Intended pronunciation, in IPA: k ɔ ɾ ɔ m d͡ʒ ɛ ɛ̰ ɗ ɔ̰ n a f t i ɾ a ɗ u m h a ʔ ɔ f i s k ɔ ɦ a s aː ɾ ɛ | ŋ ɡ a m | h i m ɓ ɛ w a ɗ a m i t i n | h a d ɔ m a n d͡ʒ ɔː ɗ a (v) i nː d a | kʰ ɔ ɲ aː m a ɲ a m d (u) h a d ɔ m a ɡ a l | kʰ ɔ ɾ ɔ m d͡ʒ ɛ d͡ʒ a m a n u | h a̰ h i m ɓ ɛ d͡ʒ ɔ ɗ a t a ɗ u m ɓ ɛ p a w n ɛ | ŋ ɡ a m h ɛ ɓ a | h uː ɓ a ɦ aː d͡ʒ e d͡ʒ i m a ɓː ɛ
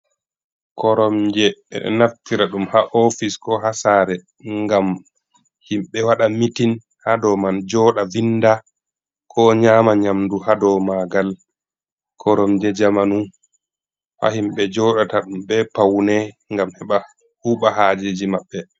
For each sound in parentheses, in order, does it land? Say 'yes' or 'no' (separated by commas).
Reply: yes, yes